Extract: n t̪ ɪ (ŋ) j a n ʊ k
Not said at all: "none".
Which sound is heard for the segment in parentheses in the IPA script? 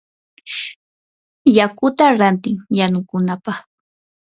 ŋ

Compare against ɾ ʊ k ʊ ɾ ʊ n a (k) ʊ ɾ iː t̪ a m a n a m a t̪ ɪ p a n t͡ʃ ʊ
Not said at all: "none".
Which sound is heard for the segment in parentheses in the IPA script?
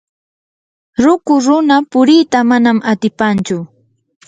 p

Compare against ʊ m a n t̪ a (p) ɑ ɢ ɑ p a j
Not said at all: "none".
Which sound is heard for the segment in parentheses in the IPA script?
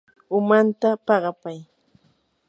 p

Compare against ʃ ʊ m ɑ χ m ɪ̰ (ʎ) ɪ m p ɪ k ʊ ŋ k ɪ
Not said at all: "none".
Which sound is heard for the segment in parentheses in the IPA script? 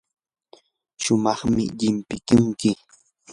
ʎ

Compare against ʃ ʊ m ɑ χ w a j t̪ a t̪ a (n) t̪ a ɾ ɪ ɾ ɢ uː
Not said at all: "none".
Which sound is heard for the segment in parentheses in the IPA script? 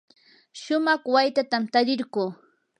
m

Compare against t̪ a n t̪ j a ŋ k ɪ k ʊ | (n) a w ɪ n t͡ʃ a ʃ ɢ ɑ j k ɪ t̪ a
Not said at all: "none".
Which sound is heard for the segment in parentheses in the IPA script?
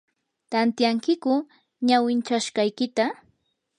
ɲ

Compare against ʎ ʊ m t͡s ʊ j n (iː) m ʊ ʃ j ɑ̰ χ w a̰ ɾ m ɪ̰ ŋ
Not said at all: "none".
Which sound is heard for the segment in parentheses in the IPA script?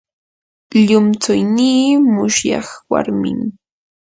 iː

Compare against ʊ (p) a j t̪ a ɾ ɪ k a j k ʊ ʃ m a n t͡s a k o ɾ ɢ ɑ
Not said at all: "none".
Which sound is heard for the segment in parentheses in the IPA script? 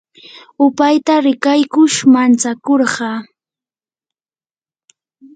p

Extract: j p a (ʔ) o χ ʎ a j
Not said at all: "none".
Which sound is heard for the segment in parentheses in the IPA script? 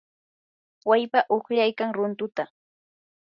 ʔ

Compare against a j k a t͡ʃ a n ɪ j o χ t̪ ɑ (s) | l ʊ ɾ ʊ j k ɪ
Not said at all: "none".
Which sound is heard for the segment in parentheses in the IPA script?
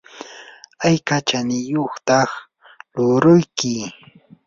χ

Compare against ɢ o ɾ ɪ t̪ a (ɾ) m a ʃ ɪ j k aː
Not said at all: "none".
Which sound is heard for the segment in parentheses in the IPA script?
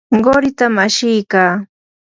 none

